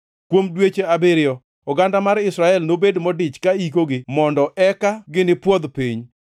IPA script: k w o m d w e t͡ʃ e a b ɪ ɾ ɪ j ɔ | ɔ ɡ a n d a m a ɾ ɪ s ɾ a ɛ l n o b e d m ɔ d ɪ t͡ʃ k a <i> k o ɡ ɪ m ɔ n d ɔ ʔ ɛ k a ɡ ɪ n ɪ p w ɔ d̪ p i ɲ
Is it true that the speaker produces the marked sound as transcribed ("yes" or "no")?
yes